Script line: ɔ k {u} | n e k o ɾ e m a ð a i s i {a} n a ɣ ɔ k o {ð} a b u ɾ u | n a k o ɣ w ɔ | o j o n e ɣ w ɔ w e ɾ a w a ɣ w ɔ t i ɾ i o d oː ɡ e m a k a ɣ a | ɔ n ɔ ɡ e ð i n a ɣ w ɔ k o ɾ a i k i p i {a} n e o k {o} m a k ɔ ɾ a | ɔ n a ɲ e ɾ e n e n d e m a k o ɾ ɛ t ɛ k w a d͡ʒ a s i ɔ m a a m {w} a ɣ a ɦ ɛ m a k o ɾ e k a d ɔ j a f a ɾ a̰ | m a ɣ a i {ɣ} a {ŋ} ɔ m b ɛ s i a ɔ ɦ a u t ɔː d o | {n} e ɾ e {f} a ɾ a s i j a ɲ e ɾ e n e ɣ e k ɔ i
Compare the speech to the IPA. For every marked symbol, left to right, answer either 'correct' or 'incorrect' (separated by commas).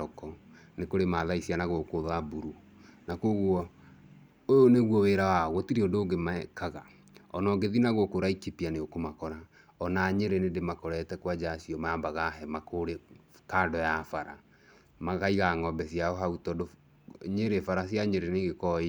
incorrect, correct, correct, correct, correct, incorrect, correct, correct, incorrect, correct